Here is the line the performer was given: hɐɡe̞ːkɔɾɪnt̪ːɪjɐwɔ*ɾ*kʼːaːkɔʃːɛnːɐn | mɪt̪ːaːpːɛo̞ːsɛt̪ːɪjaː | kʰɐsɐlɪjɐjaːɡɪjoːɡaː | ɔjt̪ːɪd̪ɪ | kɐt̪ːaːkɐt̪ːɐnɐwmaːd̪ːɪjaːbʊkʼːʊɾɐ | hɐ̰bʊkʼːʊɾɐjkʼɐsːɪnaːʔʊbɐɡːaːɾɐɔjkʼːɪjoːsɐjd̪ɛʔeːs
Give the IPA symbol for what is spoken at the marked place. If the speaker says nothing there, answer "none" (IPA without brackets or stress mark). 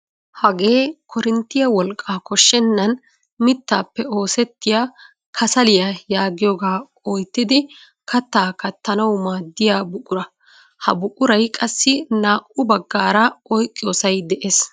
l